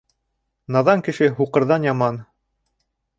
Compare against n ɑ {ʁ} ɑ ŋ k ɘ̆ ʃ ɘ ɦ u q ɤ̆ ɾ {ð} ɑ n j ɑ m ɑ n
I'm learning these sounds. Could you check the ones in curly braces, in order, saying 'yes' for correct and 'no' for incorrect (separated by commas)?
no, yes